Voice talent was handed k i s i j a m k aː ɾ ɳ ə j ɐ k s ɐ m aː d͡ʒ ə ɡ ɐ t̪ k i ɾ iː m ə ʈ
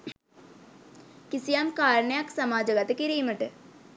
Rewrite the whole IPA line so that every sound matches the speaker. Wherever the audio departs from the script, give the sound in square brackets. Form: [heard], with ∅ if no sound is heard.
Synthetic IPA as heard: k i s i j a m k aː ɾ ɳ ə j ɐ k s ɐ m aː d͡ʒ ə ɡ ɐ t̪ k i ɾ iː m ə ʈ